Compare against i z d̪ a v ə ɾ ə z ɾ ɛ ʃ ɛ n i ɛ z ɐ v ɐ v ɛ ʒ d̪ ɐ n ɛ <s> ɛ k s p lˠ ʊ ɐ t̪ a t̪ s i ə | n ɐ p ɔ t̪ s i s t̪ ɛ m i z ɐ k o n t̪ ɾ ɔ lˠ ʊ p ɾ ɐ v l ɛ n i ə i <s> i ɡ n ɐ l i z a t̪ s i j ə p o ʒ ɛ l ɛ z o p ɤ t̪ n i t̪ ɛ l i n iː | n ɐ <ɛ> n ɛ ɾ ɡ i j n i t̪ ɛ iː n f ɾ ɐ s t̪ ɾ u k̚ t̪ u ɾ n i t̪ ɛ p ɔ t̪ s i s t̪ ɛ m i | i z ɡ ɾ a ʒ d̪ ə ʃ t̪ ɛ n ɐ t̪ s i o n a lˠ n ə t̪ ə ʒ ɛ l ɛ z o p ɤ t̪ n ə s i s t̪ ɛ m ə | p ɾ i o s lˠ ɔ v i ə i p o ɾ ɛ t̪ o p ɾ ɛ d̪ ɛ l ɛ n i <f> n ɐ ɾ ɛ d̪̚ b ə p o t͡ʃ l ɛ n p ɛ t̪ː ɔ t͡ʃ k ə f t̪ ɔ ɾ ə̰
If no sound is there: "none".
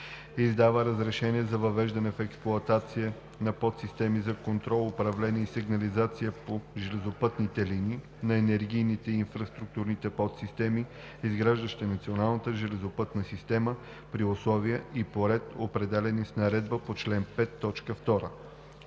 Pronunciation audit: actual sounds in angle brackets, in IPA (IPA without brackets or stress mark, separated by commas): f, s, ɛ, s